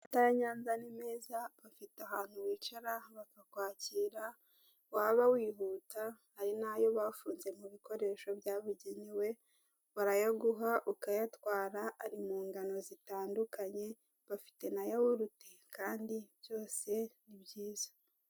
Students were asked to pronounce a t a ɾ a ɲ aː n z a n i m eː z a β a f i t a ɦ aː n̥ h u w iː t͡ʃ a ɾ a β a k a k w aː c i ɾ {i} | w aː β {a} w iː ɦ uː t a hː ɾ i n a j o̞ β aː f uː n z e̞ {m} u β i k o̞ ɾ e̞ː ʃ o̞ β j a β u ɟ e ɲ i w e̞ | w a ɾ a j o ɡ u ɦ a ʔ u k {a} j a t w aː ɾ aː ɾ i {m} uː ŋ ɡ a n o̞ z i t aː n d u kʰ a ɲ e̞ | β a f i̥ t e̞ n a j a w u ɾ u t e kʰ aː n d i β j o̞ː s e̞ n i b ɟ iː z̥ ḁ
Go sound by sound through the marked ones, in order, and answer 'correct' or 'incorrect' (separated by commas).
incorrect, correct, correct, correct, correct